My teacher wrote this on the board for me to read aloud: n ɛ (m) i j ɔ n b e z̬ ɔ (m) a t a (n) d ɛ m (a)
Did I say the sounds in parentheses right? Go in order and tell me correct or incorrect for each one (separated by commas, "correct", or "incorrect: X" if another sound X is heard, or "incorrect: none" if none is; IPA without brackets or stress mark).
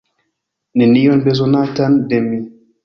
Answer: incorrect: n, incorrect: n, correct, incorrect: i